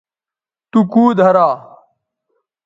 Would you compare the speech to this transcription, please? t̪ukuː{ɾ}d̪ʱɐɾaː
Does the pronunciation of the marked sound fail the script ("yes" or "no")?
yes